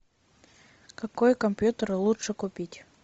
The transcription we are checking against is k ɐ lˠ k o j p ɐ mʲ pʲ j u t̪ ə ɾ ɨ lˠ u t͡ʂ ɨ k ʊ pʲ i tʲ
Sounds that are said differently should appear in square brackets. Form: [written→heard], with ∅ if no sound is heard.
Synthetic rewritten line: k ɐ [lˠ→∅] k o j [p→k] ɐ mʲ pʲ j u t̪ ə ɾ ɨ lˠ u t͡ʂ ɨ k ʊ pʲ i tʲ